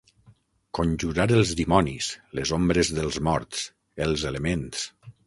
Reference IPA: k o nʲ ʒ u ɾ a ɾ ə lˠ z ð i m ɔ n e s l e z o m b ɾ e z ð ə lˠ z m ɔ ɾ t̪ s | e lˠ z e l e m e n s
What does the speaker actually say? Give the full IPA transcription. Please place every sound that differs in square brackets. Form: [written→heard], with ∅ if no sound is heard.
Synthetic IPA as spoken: k o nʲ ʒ u ɾ a ɾ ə lˠ z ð i m ɔ n [e→i] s l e z o m b ɾ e z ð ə lˠ z m ɔ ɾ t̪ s | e lˠ z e l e m e n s

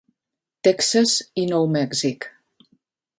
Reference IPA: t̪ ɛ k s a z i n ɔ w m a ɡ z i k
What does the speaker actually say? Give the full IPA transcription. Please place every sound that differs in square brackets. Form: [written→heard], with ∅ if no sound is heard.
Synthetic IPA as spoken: t̪ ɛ k s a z i n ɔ w m [a→ɛ] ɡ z i k

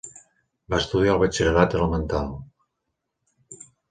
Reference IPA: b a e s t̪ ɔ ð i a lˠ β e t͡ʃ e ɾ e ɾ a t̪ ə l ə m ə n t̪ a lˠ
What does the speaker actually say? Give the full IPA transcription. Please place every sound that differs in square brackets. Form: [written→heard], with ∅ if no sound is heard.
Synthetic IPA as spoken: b a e s t̪ [ɔ→u] ð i a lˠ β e t͡ʃ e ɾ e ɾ a t̪ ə l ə m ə n t̪ a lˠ

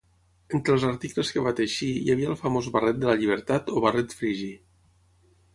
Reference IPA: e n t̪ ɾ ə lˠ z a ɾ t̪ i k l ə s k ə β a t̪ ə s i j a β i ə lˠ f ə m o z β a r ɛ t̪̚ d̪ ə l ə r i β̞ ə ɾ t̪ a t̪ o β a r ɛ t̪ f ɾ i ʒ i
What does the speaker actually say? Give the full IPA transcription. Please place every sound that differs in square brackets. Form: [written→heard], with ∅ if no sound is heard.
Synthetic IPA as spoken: e n t̪ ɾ ə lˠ z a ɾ t̪ i k l ə s k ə β a t̪ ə [s→ʃ] i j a β i ə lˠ f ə m o z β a r ɛ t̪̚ d̪ ə l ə [r→ʎ] i β̞ ə ɾ t̪ a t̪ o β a r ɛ t̪ f ɾ i ʒ i

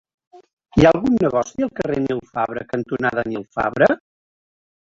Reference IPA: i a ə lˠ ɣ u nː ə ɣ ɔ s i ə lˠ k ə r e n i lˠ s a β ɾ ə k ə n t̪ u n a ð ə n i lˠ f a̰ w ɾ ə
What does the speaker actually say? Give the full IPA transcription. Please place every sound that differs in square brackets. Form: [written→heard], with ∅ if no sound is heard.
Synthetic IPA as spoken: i a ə lˠ ɣ u nː ə ɣ ɔ s i ə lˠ k ə r e n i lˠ [s→f] a β ɾ ə k ə n t̪ u n a ð ə n i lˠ f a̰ [w→β] ɾ ə

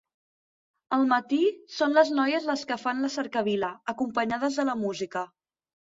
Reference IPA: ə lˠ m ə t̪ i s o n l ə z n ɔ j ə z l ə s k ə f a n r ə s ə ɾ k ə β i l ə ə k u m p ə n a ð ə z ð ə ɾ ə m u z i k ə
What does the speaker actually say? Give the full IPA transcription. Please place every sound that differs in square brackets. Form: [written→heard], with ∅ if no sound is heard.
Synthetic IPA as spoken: ə lˠ m ə t̪ i s o n l ə z n ɔ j ə z l ə s k ə f a n [r→l] ə s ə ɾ k ə β i l ə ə k u m p ə [n→ɲ] a ð ə z ð ə [ɾ→l] ə m u z i k ə

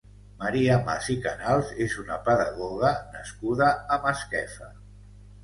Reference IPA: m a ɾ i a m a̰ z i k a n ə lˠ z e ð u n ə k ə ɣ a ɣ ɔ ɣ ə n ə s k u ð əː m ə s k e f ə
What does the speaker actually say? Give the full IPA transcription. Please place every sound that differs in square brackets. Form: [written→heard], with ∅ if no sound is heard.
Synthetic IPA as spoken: m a ɾ i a m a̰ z i k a n [ə→a] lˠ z e [ð→z] u n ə [k→p] ə [ɣ→ð] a ɣ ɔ ɣ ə n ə s k u ð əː m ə s k [e→ɛ] f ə

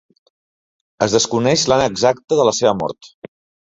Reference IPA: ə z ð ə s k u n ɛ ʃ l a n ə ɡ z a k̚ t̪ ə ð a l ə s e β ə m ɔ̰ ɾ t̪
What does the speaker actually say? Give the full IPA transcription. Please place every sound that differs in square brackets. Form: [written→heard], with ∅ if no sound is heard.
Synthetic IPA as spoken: ə z ð ə s k u n ɛ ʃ l a n ə ɡ z a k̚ t̪ ə ð [a→ə] l ə s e β ə m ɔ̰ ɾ t̪

